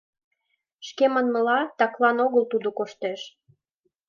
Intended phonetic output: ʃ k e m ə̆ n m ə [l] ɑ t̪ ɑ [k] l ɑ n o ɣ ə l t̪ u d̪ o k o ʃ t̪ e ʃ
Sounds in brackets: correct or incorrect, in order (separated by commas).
correct, correct